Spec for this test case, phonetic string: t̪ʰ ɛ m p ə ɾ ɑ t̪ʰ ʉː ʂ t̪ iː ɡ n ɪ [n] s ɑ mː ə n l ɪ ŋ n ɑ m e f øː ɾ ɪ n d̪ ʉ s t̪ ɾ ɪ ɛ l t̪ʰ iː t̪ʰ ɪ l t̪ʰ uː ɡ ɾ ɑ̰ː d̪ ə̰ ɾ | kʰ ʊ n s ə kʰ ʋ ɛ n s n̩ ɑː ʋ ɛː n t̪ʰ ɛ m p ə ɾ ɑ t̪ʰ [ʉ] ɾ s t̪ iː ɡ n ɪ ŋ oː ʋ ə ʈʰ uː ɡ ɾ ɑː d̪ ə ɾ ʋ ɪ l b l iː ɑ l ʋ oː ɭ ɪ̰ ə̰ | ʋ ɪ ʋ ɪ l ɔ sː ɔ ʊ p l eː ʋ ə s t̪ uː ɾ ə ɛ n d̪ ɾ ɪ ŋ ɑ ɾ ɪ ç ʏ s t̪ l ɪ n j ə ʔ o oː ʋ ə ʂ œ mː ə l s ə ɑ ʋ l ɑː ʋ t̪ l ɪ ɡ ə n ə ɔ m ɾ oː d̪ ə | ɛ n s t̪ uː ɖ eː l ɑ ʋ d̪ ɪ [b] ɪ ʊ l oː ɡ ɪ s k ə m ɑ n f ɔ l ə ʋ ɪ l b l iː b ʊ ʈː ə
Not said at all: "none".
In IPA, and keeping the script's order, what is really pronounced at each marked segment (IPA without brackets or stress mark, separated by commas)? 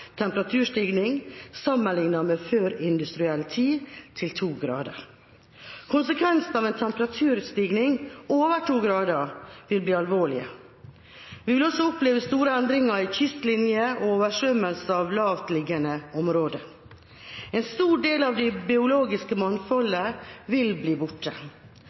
ŋ, ʉː, b